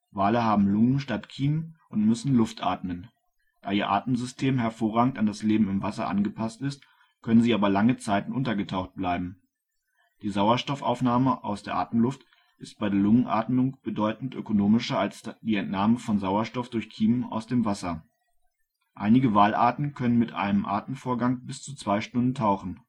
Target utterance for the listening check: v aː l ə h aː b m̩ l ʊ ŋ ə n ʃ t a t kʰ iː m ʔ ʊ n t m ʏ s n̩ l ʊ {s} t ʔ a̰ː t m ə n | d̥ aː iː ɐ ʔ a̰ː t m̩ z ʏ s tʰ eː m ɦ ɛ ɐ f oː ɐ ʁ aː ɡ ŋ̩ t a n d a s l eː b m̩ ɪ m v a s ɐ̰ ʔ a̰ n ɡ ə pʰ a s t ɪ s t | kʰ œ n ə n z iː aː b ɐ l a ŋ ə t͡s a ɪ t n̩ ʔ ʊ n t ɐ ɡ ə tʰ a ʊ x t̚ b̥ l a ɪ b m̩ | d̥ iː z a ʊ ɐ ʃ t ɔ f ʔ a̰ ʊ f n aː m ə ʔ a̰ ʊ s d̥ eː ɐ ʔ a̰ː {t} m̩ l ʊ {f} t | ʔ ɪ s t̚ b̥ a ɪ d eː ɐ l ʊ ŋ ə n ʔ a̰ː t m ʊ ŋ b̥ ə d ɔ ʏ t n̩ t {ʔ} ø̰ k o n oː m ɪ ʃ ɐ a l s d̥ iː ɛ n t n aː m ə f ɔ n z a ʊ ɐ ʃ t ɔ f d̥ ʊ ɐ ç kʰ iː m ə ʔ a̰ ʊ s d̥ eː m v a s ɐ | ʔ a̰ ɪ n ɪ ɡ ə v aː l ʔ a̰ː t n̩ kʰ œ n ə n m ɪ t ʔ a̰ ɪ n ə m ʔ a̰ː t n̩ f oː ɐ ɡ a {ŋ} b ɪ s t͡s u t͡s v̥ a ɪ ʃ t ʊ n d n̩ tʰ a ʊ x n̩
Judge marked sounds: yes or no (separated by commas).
no, yes, yes, yes, yes